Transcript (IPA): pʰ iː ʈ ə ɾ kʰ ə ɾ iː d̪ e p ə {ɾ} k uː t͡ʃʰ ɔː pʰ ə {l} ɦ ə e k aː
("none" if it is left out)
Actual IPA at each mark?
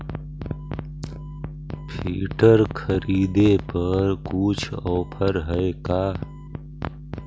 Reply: ɾ, ɾ

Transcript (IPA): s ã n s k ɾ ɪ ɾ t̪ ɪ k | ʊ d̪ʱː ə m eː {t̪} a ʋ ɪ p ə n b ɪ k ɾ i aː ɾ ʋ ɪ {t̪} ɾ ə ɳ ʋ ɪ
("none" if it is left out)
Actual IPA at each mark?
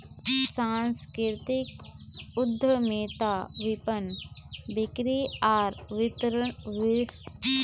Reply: t̪, t̪

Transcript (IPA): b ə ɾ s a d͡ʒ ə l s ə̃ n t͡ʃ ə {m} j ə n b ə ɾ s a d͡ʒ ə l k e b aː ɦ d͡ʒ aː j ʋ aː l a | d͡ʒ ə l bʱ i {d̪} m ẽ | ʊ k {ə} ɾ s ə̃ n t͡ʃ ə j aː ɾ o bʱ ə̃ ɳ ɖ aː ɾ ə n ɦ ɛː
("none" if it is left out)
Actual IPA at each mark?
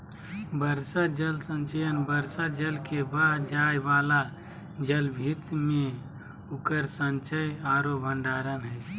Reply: none, t̪, ə

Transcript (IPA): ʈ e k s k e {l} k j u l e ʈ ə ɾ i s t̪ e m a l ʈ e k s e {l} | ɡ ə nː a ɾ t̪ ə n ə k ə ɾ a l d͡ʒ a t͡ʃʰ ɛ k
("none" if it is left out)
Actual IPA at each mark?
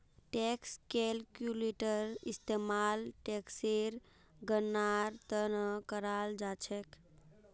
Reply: l, ɾ

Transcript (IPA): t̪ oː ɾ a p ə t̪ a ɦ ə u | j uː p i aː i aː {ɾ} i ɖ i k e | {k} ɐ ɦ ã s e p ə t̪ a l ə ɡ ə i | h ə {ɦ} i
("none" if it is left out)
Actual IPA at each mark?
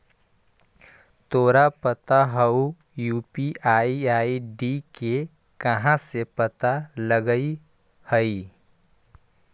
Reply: none, k, none

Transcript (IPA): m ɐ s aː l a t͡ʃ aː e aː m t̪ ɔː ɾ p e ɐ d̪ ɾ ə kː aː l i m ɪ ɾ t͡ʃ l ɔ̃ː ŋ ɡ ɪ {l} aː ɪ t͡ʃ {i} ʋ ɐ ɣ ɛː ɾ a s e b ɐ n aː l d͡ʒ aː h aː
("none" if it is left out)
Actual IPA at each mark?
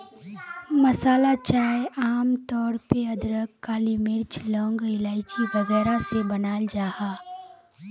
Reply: l, i

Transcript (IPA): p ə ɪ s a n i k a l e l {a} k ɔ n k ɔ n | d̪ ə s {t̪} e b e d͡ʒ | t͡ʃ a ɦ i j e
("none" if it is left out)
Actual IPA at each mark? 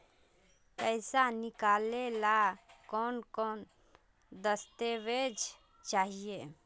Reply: a, t̪

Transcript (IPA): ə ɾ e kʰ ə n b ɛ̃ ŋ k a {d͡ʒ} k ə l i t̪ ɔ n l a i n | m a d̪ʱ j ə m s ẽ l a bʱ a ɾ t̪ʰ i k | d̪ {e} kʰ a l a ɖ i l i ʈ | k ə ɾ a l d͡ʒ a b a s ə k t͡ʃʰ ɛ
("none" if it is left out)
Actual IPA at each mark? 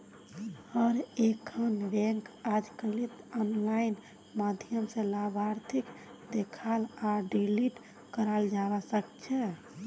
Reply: d͡ʒ, e

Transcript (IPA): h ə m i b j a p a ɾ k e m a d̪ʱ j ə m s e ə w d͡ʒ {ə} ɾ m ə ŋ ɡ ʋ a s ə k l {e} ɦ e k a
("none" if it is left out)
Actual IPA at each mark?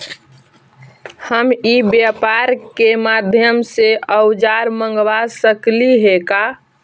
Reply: a, i

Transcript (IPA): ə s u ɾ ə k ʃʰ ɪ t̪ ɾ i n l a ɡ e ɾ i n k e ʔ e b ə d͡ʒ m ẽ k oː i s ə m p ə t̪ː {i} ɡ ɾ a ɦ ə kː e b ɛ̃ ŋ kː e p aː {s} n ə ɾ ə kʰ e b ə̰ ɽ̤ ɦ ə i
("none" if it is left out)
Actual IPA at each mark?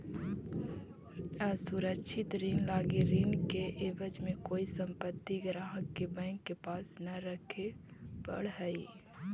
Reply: i, s

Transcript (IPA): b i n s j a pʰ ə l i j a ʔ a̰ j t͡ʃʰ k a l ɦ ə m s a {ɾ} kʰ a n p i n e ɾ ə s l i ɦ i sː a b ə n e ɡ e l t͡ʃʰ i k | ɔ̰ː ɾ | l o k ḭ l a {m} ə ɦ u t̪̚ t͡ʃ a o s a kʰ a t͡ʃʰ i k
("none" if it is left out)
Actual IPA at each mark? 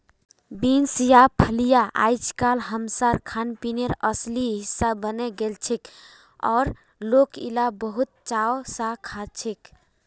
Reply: ɾ, b

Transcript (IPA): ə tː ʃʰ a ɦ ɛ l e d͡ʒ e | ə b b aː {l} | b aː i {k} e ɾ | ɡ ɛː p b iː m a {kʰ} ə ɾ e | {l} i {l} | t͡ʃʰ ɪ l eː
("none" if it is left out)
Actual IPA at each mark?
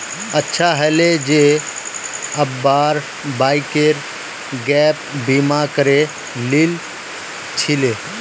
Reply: ɾ, k, k, l, l

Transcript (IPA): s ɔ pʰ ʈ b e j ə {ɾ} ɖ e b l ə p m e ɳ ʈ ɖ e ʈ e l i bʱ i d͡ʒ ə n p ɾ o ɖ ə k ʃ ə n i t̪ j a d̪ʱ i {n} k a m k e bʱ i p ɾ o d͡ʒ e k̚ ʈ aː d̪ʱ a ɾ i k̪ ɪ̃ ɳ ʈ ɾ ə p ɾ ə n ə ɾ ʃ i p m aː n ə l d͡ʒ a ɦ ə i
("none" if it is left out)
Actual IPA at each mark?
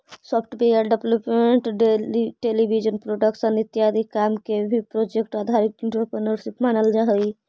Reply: ɾ, none

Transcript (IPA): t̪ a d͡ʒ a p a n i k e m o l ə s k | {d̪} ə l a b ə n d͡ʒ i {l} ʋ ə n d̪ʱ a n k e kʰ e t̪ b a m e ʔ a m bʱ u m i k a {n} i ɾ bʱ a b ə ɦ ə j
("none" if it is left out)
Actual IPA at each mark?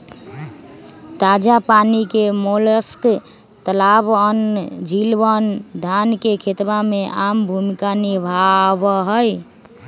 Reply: t̪, l, n

